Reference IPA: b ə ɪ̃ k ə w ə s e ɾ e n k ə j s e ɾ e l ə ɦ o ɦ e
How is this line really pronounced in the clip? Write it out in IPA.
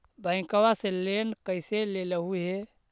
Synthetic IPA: b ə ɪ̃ k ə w a s e l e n k ə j s e l e l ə ɦ u ɦ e